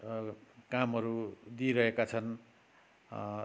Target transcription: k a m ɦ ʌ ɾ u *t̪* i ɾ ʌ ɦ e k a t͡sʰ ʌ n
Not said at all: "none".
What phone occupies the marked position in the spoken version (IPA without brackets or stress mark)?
d̪